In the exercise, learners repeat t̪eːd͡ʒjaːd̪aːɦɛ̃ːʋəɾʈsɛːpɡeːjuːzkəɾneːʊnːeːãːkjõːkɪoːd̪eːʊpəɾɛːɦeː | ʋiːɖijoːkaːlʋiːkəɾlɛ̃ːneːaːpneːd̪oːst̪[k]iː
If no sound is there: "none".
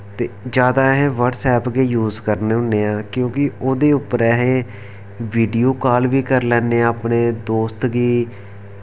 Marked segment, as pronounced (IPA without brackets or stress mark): ɡ